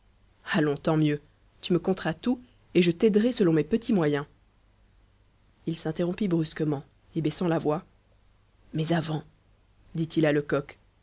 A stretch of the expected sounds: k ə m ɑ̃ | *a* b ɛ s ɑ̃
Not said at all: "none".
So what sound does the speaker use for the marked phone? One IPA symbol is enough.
e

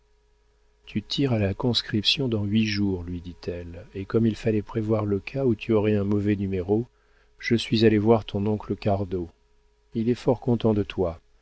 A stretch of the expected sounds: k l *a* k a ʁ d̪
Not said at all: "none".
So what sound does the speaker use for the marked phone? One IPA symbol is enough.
ə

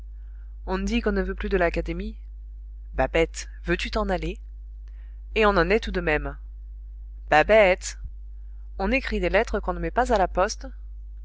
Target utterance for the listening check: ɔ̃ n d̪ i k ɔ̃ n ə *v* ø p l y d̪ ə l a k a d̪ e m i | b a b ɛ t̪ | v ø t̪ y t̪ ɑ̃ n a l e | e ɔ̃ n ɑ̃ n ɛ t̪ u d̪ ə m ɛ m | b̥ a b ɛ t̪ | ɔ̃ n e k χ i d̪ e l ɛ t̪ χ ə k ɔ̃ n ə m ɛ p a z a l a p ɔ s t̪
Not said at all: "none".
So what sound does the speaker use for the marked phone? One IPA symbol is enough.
v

